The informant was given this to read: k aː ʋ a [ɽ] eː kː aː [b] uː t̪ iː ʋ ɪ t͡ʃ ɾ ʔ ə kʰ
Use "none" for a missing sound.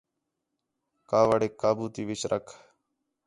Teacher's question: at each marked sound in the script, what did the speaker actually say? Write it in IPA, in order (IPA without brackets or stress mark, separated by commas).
ɽ, b